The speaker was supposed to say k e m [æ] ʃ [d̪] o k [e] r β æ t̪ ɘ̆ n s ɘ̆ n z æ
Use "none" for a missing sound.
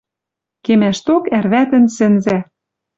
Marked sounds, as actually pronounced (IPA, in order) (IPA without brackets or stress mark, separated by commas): æ, t̪, æ